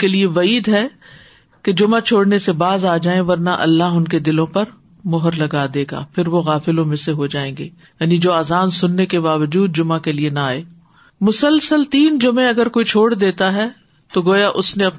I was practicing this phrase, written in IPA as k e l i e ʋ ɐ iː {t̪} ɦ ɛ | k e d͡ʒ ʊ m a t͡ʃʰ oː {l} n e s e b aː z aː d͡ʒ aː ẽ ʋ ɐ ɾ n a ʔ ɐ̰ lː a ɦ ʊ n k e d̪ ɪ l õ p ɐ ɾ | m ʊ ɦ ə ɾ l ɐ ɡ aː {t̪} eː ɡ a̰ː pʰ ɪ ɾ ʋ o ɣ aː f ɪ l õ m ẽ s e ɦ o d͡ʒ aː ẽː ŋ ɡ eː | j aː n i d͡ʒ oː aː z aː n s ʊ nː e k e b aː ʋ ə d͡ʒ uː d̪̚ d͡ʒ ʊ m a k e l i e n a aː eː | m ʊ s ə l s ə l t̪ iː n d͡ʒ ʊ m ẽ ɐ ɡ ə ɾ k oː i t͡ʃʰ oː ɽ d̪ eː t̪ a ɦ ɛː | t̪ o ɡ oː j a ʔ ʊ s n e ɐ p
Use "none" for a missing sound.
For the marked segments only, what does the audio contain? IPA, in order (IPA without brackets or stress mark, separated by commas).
d̪, ɽ, d̪